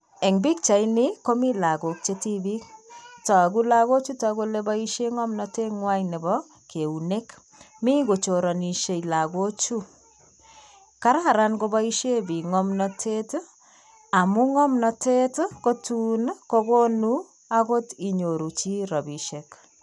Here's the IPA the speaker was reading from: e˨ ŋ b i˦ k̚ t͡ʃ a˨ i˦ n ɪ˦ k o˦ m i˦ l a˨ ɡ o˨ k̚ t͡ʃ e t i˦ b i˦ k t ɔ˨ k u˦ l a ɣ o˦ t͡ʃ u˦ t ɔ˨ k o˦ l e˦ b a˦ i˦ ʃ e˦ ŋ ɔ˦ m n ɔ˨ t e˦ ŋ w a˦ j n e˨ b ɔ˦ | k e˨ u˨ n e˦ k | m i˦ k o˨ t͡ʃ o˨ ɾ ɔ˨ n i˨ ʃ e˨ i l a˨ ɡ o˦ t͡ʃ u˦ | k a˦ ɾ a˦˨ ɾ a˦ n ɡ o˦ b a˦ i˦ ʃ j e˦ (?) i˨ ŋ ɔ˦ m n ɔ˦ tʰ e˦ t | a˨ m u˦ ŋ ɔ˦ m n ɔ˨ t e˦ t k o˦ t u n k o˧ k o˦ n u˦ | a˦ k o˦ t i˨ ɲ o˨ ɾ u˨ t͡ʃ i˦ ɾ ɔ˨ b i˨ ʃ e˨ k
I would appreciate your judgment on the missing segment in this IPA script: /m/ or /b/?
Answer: b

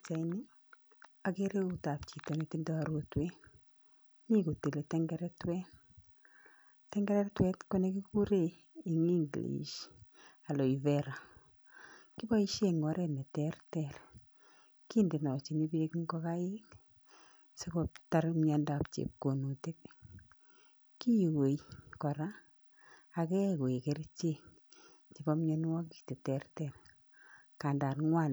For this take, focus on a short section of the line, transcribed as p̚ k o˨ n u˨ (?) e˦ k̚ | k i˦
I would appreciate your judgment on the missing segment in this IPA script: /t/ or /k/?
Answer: t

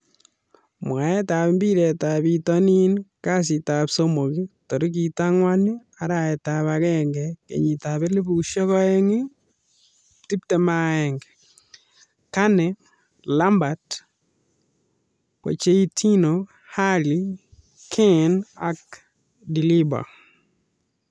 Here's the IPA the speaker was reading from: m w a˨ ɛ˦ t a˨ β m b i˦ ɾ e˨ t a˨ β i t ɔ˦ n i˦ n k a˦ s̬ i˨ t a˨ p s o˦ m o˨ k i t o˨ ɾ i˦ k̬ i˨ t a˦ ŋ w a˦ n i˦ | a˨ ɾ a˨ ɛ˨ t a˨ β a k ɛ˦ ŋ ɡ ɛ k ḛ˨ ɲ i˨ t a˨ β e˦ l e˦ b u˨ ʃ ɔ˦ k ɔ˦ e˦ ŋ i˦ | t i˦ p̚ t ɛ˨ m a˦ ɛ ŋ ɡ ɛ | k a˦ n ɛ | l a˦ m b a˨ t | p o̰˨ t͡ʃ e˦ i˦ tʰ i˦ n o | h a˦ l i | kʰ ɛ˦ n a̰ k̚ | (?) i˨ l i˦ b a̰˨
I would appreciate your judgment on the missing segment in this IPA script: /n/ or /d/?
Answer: d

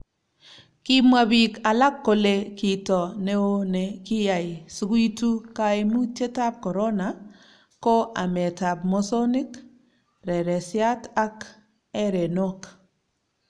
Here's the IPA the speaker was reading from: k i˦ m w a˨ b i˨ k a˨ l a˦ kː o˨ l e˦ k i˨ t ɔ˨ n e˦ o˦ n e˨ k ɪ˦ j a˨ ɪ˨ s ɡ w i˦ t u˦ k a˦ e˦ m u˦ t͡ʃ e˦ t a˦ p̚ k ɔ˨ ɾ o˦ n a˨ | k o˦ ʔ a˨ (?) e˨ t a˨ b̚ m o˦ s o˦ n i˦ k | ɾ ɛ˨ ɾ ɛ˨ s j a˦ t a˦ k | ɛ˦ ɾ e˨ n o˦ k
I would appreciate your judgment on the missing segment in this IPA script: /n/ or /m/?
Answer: m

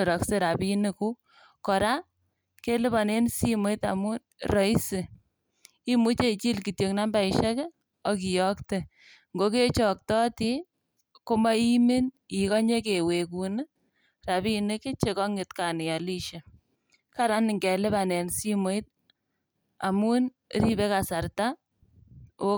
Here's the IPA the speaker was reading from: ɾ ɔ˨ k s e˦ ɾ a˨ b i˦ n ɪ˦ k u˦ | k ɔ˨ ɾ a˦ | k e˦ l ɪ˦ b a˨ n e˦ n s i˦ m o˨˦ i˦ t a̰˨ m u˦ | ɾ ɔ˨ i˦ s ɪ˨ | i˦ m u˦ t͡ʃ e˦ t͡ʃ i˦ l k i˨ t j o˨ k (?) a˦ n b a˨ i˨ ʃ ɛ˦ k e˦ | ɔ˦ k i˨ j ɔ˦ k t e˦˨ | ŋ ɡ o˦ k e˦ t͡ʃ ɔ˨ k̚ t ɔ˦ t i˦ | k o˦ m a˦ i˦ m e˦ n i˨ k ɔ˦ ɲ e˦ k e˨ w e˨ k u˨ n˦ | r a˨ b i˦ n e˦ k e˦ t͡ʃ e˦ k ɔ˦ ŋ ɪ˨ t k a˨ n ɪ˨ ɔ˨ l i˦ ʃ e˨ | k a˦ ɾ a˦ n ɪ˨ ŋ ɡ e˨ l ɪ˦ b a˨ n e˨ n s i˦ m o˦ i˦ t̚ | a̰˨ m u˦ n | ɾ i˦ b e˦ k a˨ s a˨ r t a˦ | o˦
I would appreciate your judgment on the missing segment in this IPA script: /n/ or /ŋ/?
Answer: n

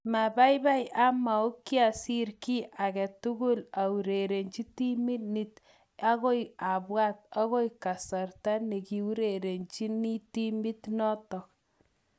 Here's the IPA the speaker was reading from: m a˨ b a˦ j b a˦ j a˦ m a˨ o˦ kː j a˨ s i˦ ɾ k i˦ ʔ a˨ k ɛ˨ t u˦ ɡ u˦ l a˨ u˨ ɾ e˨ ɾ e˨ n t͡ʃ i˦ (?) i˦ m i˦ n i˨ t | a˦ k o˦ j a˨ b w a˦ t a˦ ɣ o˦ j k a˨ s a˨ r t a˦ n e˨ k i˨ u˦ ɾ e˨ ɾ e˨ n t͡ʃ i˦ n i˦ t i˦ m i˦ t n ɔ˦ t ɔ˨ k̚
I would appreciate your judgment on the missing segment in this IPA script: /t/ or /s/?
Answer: t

